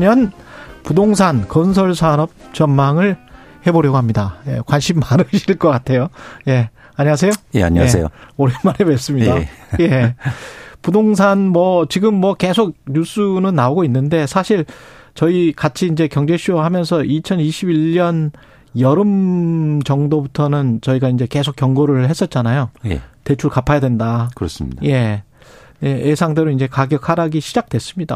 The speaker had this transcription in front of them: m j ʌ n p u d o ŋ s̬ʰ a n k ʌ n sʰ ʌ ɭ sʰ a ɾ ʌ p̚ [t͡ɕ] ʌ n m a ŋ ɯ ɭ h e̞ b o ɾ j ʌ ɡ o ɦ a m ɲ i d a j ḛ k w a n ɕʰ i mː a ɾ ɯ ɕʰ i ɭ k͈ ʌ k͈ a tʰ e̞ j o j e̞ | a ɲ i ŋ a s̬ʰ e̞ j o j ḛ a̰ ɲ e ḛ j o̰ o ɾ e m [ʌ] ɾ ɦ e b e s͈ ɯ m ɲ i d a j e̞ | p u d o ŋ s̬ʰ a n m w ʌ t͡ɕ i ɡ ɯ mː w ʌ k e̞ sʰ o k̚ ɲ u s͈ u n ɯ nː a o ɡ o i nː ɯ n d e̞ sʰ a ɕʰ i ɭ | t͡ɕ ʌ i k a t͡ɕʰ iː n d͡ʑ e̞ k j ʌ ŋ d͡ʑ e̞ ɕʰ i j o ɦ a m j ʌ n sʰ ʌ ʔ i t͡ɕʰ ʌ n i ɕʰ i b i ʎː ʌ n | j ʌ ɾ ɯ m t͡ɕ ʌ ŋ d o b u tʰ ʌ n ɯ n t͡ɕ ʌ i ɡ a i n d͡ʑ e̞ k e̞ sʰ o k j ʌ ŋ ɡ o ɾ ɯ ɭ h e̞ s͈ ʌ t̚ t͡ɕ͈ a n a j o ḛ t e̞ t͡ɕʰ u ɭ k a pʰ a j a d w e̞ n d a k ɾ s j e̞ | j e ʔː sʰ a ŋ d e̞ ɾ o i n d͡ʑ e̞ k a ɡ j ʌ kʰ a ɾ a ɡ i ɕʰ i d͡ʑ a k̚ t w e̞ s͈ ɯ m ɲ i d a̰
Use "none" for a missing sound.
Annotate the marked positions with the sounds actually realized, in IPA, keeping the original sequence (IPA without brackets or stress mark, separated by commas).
t͡ɕ, a